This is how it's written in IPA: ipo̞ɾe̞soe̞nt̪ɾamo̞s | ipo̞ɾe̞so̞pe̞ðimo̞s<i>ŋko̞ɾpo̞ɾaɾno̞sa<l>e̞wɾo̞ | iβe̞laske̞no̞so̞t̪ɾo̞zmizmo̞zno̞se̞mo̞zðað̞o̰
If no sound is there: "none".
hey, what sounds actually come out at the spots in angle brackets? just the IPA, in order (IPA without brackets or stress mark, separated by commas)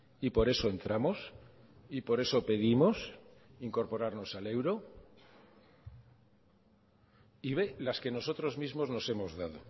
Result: i, l